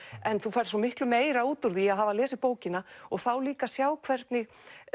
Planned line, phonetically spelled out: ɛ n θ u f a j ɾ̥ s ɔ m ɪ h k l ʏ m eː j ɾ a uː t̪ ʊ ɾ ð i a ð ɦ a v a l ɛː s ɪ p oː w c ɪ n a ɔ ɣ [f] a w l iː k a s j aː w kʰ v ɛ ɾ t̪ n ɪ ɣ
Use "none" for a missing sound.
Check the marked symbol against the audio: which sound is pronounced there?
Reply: θ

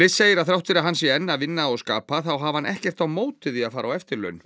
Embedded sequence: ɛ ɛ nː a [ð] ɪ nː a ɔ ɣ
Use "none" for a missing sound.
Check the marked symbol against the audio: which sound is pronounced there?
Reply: v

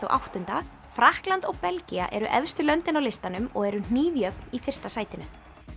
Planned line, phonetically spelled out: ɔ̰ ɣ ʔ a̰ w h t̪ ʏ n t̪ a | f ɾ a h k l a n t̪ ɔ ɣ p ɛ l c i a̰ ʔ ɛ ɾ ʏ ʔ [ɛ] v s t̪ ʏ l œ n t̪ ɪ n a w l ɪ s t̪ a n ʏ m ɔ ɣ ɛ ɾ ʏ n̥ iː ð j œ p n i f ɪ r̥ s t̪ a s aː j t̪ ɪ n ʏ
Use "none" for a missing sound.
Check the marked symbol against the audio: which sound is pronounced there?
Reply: ɛ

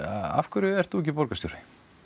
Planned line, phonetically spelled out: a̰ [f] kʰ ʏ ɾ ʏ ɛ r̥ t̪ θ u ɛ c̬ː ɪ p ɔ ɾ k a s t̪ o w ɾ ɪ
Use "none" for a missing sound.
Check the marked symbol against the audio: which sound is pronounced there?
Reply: f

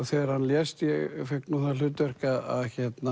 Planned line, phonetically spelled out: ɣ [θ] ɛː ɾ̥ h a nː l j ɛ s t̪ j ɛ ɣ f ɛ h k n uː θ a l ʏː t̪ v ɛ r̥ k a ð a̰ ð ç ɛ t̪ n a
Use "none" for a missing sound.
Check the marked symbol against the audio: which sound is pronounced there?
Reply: θ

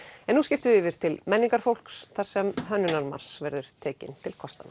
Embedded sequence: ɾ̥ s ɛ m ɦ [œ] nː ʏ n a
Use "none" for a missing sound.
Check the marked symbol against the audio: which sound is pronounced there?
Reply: œ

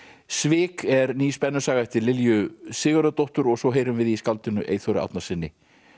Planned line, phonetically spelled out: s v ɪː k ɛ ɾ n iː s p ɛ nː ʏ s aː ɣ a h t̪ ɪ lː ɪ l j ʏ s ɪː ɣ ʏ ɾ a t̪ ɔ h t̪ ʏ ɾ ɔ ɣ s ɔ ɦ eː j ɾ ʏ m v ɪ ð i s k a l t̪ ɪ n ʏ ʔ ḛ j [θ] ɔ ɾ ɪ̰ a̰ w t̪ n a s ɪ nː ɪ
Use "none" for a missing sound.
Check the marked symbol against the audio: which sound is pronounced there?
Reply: θ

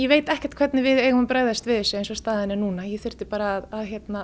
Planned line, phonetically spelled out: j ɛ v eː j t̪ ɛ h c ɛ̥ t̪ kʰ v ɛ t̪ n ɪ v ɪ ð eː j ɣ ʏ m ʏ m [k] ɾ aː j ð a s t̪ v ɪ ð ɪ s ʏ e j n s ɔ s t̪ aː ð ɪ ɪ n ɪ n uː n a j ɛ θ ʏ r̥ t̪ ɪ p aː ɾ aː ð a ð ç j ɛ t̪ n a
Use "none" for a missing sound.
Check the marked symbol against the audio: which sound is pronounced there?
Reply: p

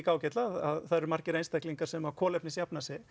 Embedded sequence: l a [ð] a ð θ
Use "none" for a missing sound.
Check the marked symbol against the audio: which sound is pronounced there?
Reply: ð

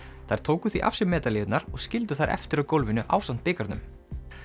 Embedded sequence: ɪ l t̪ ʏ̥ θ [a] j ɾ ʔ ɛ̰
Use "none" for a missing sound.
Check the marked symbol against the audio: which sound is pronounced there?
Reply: a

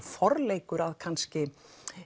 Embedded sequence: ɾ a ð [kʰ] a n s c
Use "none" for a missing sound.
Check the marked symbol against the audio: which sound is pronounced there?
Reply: kʰ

